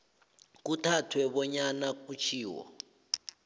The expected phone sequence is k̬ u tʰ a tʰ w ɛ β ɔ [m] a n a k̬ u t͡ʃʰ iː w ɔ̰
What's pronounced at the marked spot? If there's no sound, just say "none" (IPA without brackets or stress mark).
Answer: ɲ